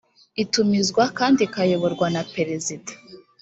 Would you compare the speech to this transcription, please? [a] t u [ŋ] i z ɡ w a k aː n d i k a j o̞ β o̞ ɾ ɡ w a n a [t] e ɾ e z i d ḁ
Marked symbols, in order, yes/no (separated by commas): no, no, no